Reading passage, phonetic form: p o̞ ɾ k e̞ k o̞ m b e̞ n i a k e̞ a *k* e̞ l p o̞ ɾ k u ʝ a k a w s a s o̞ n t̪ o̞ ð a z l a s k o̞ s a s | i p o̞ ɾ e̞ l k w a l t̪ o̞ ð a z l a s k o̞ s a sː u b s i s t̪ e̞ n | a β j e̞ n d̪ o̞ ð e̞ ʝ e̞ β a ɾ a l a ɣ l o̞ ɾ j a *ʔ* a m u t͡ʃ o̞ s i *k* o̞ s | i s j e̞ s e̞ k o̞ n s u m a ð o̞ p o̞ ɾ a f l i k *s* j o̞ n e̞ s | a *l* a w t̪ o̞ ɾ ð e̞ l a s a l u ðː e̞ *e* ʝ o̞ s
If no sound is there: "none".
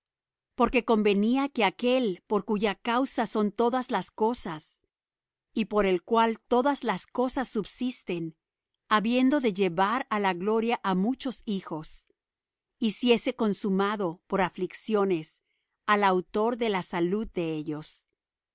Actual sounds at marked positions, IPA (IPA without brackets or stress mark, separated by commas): k, ʔ, x, s, l, e